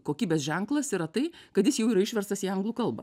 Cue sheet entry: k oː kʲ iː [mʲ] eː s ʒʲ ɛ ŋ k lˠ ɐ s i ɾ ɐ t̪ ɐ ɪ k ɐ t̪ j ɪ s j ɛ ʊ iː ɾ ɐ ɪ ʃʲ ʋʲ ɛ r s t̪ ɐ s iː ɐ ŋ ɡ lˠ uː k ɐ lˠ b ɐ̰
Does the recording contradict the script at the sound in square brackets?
yes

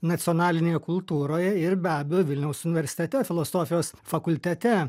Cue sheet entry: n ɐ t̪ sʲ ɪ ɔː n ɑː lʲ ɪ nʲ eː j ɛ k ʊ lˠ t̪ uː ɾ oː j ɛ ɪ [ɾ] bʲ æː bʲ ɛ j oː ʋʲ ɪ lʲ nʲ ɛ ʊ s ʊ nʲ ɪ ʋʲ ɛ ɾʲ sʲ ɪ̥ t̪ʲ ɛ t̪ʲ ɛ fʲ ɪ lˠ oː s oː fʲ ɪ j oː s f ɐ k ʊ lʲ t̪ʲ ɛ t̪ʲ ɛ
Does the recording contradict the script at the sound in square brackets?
no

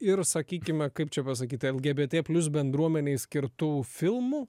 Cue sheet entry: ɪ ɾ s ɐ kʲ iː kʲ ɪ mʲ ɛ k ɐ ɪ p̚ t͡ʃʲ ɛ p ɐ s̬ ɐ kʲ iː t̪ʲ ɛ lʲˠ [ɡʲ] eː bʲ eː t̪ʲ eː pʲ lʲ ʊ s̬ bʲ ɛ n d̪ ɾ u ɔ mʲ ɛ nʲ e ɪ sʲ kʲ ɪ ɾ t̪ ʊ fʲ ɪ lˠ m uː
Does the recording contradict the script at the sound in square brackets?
no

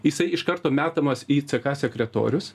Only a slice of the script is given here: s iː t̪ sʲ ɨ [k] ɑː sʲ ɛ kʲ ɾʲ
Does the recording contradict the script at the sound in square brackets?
no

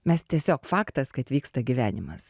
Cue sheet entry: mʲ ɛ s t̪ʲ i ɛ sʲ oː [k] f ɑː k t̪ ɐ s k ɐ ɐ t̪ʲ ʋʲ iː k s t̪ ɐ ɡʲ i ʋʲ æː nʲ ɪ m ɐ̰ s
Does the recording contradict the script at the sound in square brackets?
no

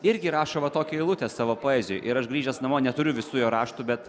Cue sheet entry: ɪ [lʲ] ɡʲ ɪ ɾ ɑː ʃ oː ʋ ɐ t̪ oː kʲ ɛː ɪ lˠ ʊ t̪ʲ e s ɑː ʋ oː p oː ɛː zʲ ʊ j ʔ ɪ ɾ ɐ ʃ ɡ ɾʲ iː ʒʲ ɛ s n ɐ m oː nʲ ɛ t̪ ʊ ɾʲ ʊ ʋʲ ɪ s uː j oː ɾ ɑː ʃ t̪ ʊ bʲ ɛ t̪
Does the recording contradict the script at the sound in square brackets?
yes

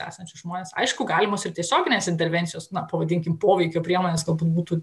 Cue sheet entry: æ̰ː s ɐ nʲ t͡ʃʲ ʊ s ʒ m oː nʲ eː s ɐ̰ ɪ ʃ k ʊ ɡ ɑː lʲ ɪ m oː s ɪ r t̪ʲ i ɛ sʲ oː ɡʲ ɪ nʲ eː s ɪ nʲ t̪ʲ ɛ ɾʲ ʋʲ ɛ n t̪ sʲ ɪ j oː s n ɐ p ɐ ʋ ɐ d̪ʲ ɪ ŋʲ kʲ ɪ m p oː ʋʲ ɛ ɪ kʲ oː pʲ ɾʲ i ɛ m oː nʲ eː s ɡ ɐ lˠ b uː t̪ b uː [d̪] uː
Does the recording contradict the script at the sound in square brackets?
yes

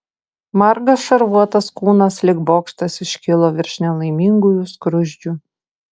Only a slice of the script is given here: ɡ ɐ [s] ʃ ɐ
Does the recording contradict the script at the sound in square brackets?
no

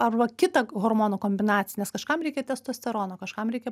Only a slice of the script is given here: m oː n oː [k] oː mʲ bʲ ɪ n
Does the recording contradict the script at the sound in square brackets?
no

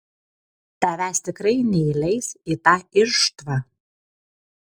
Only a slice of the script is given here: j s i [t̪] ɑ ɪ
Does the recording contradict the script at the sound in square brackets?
no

